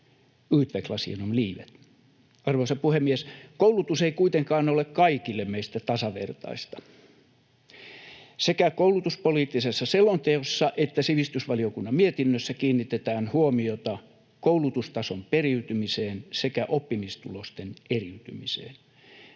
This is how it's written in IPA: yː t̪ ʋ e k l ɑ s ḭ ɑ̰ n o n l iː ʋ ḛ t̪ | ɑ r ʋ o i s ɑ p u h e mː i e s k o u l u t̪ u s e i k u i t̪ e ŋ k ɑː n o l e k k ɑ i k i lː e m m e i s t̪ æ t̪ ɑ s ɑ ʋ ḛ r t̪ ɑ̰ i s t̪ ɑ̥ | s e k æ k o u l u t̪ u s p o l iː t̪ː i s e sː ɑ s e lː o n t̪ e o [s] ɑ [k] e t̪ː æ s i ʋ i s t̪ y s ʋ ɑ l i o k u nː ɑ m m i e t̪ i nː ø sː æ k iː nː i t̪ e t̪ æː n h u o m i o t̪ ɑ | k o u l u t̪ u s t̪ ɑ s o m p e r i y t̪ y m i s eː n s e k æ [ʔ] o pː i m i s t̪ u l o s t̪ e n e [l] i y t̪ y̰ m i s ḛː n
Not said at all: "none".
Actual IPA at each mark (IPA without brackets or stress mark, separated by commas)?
sː, ʔ, ʔ, r